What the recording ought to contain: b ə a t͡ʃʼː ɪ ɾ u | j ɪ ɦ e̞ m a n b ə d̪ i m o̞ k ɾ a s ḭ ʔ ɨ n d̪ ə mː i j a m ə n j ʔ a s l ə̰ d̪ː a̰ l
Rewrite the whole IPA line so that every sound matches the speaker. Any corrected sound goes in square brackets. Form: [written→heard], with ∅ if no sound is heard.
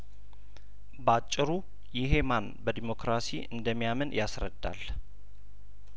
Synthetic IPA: b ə a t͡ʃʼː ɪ ɾ u | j ɪ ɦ e̞ m a n b ə d̪ i m o̞ k ɾ a s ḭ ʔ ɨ n d̪ ə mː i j a m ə n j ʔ a s [l→ɾ] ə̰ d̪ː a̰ l